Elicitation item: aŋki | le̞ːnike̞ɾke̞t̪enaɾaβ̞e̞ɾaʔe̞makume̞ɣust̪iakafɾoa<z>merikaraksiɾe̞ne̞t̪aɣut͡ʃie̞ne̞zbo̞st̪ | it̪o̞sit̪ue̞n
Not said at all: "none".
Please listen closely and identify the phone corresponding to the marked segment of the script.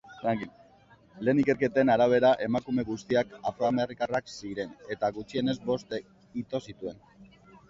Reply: none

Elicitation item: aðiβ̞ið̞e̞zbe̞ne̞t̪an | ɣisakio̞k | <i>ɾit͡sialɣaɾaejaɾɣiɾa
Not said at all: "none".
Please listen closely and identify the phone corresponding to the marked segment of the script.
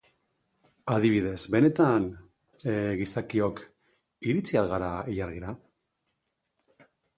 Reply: i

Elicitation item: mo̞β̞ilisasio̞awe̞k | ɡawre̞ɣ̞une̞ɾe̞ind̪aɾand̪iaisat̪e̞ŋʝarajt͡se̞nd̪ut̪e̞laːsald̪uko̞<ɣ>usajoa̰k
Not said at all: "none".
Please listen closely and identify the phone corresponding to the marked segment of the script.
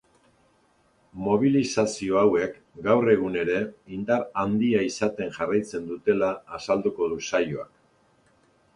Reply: ð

